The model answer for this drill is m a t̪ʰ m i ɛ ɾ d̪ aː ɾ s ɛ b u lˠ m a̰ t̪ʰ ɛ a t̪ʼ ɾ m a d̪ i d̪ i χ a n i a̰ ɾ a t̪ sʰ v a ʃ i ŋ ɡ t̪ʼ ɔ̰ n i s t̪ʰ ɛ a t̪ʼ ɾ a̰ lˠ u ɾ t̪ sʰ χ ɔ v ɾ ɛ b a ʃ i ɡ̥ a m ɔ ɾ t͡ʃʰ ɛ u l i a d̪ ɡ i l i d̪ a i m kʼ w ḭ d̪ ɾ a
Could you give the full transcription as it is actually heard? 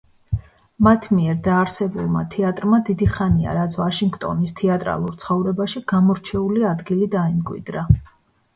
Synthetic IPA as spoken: m a t̪ʰ m i ɛ ɾ d̪ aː ɾ s ɛ b u lˠ m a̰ t̪ʰ ɛ a t̪ʼ ɾ m a d̪ i d̪ i χ a n i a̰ ɾ a t̪ sʰ v a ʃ i ŋ ɡ t̪ʼ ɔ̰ n i s t̪ʰ ɛ a t̪ʼ ɾ a̰ lˠ u ɾ t̪ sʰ χ ɔ v ɾ ɛ b a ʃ i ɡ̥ a m ɔ ɾ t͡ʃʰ ɛ u l i a d̪ ɡ i l i d̪ a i m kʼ w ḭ d̪ ɾ a